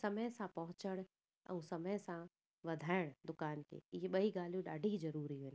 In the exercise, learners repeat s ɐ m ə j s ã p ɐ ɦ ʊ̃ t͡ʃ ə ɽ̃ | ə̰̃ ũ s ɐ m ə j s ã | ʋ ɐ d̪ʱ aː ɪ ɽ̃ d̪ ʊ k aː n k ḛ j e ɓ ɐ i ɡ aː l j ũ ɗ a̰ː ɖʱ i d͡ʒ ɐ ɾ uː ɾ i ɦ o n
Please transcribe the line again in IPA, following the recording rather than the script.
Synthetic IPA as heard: s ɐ m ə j s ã p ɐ ɦ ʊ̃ t͡ʃ ə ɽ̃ | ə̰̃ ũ s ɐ m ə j s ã | ʋ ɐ d̪ʱ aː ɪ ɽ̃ d̪ ʊ k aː n k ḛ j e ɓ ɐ i ɡ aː l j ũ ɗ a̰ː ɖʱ i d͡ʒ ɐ ɾ uː ɾ i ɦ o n

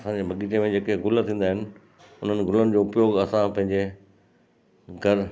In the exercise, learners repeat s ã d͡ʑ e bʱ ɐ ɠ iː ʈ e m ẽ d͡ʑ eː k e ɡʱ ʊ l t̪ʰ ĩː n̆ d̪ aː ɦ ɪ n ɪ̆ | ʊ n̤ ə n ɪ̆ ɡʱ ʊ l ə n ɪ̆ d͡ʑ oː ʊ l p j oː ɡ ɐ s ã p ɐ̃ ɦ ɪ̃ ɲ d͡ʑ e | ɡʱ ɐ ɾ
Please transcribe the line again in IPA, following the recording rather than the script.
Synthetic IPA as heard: s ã d͡ʑ e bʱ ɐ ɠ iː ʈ e m ẽ d͡ʑ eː k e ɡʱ ʊ l t̪ʰ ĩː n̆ d̪ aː ɦ ɪ n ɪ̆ | ʊ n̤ ə n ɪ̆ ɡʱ ʊ l ə n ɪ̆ d͡ʑ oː ʊ p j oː ɡ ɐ s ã p ɐ̃ ɦ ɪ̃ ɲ d͡ʑ e | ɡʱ ɐ ɾ

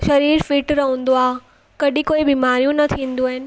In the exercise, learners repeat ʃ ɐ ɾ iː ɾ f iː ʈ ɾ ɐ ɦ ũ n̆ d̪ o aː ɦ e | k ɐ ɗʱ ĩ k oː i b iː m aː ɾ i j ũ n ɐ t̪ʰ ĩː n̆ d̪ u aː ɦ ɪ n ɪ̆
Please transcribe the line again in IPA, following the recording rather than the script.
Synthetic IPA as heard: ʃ ɐ ɾ iː ɾ f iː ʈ ɾ ɐ ɦ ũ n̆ d̪ o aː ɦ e | k ɐ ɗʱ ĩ k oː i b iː m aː ɾ i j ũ n ɐ t̪ʰ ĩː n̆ d̪ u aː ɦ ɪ n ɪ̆

